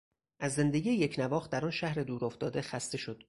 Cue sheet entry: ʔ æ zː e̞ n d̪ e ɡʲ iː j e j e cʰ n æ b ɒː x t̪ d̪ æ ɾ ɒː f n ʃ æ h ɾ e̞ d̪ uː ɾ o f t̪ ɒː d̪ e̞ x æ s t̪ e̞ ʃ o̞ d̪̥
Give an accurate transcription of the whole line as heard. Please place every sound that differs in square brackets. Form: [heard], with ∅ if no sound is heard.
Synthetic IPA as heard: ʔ æ zː e̞ n d̪ e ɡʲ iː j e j e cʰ n æ [v] ɒː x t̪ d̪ æ ɾ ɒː [∅] n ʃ æ h ɾ e̞ d̪ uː ɾ o f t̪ ɒː d̪ e̞ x æ s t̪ e̞ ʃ o̞ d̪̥